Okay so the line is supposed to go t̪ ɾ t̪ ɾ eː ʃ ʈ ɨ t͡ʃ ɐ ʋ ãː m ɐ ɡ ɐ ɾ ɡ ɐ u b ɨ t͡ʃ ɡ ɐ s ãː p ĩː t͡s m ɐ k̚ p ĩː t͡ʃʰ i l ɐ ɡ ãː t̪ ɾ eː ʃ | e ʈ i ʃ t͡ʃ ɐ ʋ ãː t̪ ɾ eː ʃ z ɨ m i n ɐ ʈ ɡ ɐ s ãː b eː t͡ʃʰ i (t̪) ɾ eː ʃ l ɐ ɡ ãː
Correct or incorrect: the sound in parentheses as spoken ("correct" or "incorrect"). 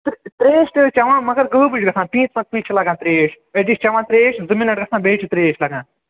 correct